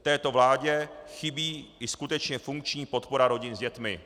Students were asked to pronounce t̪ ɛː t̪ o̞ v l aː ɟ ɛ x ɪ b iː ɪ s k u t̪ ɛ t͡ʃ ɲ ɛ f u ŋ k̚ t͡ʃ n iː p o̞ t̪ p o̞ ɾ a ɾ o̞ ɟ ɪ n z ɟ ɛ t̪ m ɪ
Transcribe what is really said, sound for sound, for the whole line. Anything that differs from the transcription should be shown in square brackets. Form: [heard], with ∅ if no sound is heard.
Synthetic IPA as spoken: t̪ ɛː t̪ o̞ v l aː ɟ ɛ x ɪ b iː ɪ s k u t̪ ɛ t͡ʃ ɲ ɛ f u ŋ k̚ t͡ʃ [ɲ] iː p o̞ t̪ p o̞ ɾ a ɾ o̞ ɟ ɪ n z ɟ ɛ t̪ m ɪ